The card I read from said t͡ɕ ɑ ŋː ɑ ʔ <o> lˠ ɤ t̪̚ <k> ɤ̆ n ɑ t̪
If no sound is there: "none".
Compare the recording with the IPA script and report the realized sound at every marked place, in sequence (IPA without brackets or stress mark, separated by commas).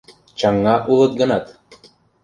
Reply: u, ɡ